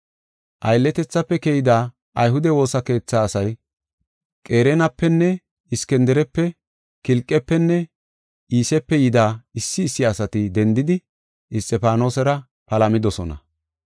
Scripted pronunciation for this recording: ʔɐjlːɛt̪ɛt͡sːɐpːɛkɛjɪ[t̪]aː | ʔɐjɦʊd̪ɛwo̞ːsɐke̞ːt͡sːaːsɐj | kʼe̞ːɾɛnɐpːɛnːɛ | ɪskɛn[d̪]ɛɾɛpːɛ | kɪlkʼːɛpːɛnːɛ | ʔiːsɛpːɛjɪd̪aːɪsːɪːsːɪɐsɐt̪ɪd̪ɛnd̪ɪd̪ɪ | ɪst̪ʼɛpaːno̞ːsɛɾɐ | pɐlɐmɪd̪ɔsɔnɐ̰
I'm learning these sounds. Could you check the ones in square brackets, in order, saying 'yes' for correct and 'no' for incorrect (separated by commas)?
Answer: no, yes